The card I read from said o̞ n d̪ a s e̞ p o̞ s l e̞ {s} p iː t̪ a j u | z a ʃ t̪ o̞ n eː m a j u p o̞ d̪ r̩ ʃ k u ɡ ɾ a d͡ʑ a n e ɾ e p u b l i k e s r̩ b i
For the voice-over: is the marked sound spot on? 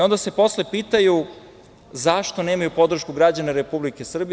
no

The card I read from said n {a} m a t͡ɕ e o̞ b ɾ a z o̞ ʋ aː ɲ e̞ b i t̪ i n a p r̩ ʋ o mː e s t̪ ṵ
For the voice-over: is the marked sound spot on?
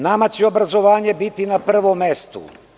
yes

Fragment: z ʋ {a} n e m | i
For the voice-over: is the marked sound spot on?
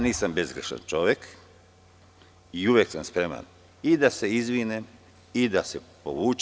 no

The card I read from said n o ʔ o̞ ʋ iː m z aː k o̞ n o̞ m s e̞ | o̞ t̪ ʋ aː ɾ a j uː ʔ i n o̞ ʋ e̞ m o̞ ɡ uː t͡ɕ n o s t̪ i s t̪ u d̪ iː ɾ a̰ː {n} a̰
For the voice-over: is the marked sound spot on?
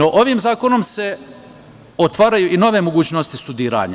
no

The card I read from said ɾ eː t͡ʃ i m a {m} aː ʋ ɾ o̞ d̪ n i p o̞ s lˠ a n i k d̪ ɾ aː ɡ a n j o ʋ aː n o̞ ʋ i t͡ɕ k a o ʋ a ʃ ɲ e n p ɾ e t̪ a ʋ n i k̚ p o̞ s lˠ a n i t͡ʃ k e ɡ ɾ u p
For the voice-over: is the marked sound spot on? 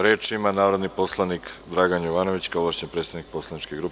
no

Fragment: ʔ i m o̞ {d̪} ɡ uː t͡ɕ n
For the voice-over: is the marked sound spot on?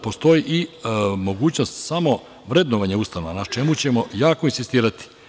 no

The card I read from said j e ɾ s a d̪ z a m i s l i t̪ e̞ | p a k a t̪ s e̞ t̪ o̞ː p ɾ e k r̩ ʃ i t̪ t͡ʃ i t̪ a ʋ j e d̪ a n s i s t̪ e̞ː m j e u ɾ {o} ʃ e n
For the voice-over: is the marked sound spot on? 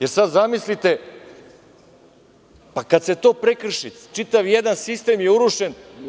no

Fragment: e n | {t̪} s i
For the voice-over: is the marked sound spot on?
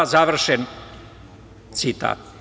yes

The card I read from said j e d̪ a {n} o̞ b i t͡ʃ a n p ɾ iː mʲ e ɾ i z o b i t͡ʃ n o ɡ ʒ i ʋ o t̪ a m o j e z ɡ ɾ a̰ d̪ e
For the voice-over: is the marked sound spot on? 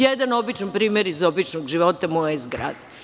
yes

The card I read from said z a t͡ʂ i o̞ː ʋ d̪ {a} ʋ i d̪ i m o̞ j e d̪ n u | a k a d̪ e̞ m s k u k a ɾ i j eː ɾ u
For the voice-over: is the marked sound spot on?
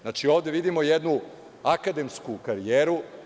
no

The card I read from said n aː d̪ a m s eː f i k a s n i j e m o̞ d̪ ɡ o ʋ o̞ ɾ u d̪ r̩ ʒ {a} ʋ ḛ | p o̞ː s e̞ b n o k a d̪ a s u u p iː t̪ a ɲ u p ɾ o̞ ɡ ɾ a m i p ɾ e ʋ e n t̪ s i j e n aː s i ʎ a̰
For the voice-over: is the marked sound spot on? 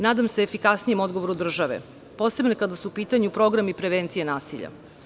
yes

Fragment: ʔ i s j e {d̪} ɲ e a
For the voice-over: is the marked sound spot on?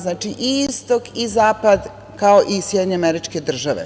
yes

